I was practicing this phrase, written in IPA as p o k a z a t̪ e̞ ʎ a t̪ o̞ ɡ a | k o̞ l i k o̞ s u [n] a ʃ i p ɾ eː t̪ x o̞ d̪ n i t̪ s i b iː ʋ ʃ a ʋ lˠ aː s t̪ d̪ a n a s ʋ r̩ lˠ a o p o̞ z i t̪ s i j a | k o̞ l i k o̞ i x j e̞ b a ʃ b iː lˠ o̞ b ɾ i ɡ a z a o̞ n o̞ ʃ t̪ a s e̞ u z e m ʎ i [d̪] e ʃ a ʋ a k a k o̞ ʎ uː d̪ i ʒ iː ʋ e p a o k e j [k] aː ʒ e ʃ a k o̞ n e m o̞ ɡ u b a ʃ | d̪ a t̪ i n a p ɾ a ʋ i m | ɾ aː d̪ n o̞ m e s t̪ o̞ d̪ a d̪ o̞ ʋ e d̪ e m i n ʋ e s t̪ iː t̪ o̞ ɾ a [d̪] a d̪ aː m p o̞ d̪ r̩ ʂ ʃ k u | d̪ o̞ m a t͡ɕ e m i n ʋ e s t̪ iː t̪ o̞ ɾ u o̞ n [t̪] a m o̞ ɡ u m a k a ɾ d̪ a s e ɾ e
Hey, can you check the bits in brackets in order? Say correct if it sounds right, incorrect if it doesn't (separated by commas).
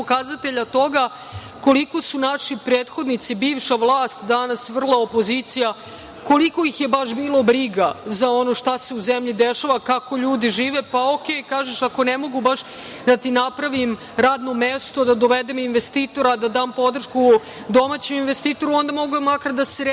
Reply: correct, correct, correct, correct, incorrect